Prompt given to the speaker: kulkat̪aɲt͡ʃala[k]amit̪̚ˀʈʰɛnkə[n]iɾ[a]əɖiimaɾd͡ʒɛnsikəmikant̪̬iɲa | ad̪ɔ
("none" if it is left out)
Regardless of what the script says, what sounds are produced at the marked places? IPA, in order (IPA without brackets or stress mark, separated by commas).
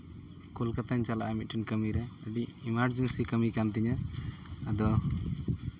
ʔ, m, ɛ